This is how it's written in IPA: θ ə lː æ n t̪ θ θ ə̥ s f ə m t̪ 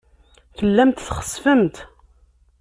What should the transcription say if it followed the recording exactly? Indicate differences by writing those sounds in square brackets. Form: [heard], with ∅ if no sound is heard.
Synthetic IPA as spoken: θ ə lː æ [m] t̪ θ [χ] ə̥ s f ə m t̪